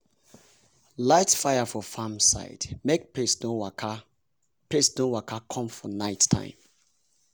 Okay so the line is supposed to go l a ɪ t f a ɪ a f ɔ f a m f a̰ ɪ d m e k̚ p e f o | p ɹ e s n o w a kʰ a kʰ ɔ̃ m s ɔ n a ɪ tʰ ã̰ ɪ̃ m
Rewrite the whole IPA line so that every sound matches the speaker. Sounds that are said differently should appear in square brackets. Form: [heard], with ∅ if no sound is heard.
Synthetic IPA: l a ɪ t f a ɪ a f ɔ f a m [s] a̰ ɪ d m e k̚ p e [s] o | p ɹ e s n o w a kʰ a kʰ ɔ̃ m [f] ɔ n a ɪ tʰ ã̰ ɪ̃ m